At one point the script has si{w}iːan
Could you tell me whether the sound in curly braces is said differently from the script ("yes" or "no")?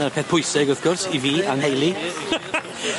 yes